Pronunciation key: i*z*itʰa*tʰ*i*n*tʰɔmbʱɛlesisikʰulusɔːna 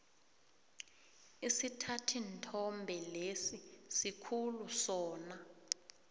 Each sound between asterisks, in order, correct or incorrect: incorrect, correct, correct

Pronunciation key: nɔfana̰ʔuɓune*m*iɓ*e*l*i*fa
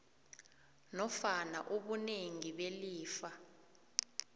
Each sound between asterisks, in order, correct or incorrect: incorrect, correct, incorrect

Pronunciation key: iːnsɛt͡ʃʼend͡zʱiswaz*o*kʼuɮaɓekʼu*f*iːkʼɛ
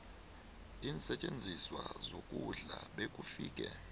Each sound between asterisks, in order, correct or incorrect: correct, correct

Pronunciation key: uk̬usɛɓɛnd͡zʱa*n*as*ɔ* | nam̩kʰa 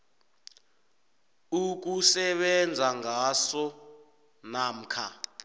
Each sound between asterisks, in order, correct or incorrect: incorrect, correct

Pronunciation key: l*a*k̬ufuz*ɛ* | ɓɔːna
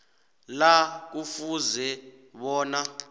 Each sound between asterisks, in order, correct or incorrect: correct, correct

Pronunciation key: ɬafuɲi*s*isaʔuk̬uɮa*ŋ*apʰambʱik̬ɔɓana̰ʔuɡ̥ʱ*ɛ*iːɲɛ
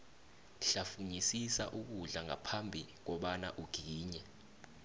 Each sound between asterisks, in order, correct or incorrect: correct, correct, incorrect

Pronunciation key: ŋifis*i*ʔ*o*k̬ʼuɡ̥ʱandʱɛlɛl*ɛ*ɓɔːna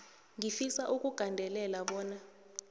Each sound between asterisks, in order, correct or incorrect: incorrect, incorrect, incorrect

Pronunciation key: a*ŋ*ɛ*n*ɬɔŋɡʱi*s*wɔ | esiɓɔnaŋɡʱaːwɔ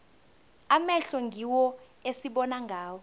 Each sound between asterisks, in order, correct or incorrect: incorrect, incorrect, incorrect

